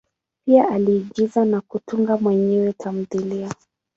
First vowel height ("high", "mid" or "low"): high